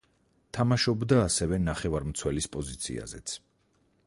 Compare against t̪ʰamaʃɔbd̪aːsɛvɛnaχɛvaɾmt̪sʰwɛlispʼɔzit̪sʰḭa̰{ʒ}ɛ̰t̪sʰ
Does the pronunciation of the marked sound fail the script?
yes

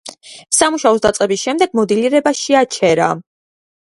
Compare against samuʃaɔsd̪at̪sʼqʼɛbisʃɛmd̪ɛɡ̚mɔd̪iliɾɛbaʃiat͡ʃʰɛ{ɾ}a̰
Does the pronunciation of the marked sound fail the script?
no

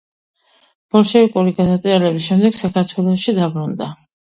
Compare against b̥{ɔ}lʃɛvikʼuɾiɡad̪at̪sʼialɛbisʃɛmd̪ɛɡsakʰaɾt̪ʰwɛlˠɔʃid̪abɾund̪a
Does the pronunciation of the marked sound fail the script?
no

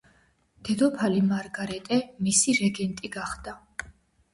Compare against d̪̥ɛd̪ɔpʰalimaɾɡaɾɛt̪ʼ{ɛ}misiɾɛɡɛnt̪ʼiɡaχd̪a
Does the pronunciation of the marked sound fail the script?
no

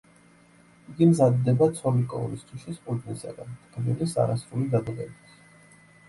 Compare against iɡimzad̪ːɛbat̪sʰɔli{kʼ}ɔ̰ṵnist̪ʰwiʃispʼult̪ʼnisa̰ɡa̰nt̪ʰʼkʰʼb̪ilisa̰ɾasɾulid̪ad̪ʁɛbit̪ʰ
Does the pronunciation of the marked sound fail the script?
no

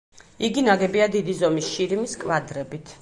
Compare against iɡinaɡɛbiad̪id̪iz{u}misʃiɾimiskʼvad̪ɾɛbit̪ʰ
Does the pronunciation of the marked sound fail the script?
yes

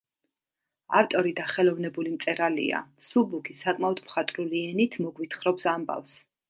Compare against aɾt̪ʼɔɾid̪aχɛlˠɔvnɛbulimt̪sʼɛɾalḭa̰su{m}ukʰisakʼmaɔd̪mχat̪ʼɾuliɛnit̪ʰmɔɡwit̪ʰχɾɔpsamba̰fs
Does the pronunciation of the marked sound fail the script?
yes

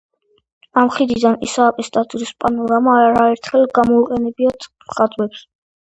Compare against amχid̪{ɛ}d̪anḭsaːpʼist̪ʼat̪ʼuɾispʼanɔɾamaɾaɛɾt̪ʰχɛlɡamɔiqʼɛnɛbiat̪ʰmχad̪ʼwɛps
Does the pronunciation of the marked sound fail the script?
yes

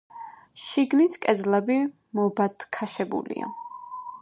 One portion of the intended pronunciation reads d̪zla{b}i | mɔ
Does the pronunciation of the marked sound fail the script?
no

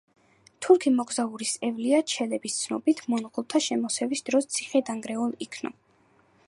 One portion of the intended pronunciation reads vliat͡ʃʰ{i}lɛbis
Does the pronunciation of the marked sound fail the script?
yes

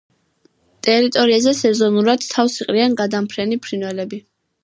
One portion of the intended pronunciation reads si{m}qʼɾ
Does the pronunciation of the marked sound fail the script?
yes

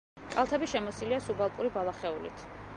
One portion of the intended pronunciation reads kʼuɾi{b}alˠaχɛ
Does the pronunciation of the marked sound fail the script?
no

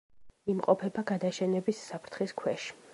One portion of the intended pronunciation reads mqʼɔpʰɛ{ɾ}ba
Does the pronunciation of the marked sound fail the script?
yes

